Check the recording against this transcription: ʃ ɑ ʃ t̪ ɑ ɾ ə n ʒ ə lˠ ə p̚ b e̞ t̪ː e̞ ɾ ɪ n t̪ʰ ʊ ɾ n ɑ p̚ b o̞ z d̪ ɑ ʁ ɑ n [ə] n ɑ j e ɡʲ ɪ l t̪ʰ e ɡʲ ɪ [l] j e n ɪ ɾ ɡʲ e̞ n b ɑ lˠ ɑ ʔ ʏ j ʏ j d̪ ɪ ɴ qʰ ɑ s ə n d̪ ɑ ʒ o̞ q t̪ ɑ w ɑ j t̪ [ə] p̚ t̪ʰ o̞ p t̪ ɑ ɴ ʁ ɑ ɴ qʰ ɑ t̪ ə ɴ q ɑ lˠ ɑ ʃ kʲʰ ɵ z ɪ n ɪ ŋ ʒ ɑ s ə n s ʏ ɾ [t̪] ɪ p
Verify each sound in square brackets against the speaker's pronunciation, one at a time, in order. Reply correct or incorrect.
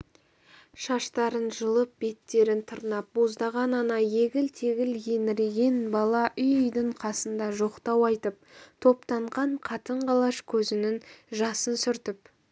incorrect: ɑ, correct, correct, correct

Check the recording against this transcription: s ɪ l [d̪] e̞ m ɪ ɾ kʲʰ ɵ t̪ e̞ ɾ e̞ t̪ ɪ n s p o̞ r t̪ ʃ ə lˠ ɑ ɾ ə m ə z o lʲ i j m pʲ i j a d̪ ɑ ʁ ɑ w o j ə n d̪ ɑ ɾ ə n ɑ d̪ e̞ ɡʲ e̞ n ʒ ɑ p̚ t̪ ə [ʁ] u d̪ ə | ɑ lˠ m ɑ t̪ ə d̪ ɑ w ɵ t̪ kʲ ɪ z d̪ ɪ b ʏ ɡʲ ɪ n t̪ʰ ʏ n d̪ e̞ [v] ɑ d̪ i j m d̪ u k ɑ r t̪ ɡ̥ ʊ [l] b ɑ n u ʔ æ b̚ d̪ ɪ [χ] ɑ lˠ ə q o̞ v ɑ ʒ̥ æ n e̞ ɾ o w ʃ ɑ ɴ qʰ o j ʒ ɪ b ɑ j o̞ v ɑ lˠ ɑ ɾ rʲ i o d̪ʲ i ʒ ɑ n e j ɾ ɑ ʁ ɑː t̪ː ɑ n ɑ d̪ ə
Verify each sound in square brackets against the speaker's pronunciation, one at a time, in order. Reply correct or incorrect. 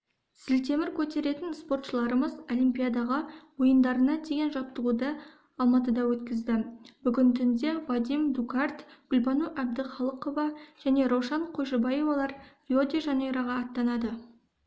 incorrect: t̪, correct, correct, correct, correct

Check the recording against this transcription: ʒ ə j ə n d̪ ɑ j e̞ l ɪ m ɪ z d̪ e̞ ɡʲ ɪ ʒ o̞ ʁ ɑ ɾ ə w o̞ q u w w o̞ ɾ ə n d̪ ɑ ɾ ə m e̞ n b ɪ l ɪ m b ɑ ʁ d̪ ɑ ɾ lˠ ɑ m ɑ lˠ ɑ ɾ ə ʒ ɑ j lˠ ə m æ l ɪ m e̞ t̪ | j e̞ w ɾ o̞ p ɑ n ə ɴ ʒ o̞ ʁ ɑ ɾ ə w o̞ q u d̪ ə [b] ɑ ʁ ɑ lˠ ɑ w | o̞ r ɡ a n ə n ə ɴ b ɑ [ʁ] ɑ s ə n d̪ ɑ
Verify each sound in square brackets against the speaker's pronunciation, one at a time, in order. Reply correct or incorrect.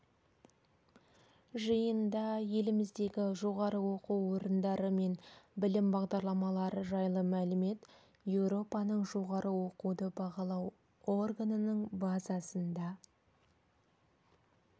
correct, incorrect: z

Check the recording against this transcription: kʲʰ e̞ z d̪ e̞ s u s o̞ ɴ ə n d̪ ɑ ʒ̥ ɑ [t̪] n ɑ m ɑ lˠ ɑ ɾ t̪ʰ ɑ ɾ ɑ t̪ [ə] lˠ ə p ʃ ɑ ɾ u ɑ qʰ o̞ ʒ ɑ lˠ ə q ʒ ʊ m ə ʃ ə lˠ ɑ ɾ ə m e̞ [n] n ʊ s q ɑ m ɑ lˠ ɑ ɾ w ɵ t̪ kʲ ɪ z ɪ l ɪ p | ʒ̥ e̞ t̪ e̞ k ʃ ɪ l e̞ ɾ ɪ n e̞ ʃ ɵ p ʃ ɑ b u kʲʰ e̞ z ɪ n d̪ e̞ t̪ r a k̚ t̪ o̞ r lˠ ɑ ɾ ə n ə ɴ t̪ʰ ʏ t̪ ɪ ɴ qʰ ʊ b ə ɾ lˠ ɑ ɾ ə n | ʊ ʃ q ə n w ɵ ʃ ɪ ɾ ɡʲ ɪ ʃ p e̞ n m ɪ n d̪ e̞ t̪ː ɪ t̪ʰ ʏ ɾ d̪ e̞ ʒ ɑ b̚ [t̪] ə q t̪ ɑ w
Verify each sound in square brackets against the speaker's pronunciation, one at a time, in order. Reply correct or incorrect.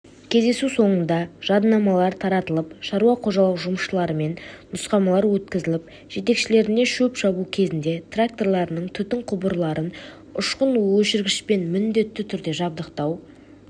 incorrect: d̪, correct, correct, incorrect: d̪

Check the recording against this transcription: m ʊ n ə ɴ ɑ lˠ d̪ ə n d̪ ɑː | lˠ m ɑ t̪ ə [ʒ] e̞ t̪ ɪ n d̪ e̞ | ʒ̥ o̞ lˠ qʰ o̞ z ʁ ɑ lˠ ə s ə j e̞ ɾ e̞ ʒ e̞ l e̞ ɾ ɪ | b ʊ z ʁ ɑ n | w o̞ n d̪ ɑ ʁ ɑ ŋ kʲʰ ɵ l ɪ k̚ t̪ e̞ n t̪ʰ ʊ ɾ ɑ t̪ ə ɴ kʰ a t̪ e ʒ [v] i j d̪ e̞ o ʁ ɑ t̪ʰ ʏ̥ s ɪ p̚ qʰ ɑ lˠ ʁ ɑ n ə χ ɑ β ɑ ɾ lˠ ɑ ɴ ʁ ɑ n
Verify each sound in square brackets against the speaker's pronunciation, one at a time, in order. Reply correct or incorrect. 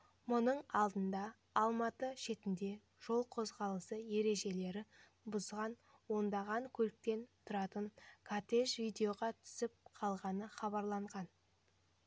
incorrect: ʃ, correct

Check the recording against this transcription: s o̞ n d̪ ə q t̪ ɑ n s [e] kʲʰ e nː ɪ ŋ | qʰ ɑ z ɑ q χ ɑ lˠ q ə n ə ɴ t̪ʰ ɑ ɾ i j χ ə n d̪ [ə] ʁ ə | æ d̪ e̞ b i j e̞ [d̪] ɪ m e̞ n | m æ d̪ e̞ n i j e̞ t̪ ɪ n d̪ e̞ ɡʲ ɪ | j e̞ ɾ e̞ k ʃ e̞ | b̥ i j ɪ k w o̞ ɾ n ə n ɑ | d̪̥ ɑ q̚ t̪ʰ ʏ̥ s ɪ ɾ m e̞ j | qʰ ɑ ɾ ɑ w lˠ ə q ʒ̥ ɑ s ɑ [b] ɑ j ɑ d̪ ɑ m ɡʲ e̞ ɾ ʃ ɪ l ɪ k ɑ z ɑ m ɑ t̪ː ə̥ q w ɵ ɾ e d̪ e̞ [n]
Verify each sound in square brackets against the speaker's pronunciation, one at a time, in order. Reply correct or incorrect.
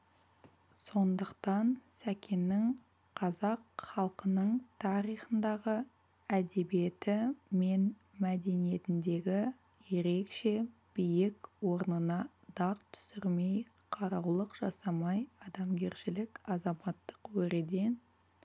incorrect: æ, incorrect: ɑ, incorrect: t̪, incorrect: m, correct

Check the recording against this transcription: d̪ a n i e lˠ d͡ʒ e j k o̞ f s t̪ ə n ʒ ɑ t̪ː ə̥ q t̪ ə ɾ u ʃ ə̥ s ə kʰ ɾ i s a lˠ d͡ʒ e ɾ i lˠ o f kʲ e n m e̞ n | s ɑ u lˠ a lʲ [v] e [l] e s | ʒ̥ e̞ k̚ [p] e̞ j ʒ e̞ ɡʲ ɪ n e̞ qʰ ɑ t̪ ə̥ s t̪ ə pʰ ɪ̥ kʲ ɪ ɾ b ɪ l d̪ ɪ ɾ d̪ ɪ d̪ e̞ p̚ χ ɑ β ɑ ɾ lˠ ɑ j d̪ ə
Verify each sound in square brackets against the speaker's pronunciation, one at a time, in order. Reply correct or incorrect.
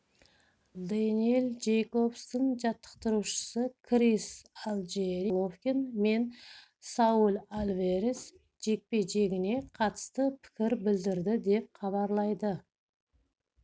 correct, incorrect: ɾ, correct

